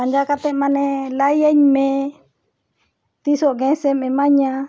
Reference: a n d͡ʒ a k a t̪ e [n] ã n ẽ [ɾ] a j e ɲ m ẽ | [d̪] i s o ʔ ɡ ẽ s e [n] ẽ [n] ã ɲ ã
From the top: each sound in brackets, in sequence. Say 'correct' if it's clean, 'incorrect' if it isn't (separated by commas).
incorrect, incorrect, incorrect, incorrect, incorrect